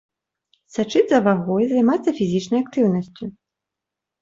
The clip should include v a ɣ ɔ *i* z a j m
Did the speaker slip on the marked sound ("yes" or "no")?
yes